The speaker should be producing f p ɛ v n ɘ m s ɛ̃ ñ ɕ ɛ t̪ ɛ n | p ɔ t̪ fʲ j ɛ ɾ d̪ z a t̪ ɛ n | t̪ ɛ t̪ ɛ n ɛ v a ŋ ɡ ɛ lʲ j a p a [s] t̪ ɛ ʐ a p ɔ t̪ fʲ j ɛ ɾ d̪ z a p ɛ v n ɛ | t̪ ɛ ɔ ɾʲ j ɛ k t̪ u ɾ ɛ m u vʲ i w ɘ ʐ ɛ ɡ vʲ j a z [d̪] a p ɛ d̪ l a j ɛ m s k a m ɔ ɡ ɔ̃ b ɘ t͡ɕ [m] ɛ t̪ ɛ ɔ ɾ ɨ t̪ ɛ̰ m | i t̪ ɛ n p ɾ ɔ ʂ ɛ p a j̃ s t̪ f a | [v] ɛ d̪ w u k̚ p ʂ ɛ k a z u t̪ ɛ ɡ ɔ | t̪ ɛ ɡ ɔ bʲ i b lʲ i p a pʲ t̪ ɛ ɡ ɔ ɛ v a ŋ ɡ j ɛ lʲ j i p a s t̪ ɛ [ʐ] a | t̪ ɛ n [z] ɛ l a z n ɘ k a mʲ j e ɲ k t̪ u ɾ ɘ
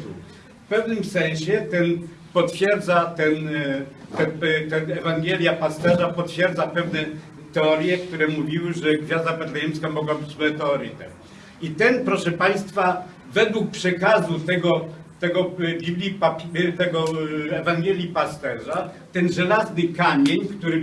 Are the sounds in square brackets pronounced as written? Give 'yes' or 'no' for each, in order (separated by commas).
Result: yes, yes, yes, yes, yes, no